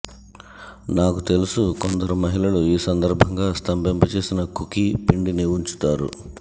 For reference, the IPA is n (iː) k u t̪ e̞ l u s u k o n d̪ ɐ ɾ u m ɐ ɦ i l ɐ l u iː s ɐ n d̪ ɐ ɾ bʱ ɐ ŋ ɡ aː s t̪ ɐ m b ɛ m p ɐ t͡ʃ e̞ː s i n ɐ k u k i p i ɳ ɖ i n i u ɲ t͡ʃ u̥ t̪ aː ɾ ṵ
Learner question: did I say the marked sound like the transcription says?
no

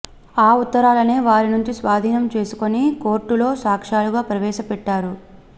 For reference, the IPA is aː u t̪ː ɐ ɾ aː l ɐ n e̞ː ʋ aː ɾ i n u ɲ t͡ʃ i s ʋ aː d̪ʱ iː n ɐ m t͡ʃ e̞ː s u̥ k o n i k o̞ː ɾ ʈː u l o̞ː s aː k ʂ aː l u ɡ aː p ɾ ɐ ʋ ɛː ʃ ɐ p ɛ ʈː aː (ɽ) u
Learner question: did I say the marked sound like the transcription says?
no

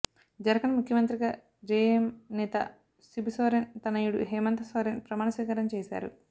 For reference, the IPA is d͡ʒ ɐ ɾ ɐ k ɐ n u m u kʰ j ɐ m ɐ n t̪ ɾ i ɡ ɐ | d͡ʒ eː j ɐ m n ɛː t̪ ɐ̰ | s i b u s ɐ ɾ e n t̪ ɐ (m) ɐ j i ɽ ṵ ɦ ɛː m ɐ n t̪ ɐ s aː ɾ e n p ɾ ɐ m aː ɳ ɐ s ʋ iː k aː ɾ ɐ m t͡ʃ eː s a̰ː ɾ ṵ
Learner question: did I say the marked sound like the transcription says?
no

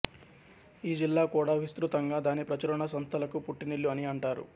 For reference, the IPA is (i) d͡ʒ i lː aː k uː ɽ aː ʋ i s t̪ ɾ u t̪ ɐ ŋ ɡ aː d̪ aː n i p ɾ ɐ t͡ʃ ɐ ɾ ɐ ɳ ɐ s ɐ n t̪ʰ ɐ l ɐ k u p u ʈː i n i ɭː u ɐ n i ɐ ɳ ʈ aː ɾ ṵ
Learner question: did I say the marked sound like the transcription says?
no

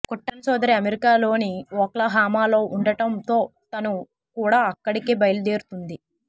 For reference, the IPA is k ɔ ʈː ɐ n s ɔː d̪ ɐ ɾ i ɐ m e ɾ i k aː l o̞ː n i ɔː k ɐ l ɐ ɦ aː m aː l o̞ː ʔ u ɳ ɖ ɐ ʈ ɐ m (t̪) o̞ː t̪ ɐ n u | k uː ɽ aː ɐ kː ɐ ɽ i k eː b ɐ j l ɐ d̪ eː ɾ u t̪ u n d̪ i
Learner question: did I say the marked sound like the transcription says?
yes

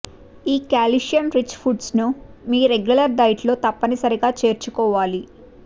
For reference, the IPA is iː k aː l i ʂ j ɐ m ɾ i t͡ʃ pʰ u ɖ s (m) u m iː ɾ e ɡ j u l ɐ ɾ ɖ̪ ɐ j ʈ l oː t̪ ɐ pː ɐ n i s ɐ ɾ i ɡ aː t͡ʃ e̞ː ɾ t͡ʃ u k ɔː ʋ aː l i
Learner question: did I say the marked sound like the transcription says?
no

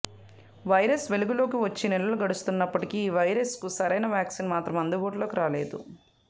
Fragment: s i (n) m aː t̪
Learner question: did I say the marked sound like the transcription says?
yes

